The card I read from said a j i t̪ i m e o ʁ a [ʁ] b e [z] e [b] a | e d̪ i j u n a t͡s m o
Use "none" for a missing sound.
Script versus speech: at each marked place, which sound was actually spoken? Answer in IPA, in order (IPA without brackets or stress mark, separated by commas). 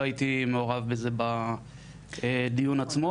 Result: v, z, b